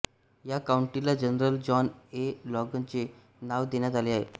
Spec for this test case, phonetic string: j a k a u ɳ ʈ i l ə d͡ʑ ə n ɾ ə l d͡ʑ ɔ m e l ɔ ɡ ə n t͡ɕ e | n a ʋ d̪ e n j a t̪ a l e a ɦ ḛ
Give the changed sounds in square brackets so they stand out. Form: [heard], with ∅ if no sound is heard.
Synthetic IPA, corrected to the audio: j a k a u ɳ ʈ i l [a] d͡ʑ ə n ɾ ə l d͡ʑ ɔ [n] e l ɔ ɡ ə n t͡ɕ e | n a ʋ d̪ e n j a t̪ a l e a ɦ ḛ